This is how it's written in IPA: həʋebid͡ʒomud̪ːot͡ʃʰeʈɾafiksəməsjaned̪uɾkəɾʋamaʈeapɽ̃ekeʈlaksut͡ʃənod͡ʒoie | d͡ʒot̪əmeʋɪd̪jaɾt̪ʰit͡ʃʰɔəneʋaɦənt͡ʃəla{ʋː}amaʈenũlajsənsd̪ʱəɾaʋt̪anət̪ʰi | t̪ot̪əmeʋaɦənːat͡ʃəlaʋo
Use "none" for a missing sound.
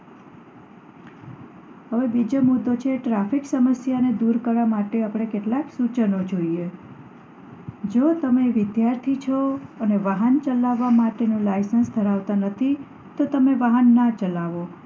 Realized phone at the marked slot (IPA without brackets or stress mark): ʋː